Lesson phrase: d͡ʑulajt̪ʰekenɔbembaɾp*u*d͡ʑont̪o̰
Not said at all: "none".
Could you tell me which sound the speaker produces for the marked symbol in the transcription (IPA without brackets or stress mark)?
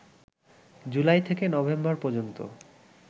ɔ